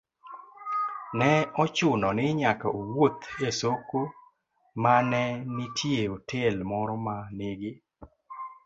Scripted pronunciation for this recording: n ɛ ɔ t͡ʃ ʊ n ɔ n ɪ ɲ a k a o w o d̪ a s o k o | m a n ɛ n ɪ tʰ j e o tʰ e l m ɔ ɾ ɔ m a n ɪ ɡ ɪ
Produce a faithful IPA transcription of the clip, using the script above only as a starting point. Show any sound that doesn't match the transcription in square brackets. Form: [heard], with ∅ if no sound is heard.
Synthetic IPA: n ɛ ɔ t͡ʃ ʊ n ɔ n ɪ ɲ a k a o w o [t̪] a s o k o | m a n ɛ n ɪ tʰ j e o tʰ e l m ɔ ɾ ɔ m a n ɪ ɡ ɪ